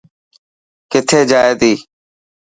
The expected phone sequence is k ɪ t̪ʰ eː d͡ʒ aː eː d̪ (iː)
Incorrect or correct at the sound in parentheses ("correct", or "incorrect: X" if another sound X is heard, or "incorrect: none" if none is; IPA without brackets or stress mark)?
correct